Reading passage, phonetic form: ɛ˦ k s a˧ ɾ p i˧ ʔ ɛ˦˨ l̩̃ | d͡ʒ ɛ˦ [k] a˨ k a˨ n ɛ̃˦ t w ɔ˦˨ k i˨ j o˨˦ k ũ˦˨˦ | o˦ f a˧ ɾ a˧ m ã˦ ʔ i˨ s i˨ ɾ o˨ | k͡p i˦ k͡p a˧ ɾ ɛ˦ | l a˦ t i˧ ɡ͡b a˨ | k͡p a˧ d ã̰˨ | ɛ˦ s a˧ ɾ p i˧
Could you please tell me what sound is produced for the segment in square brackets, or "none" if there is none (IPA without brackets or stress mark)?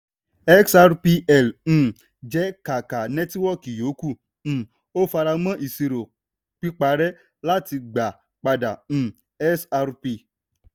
k